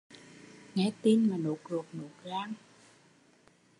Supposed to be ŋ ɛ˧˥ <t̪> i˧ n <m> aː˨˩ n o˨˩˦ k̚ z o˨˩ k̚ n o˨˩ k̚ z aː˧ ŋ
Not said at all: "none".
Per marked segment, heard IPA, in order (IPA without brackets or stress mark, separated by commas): t̪, m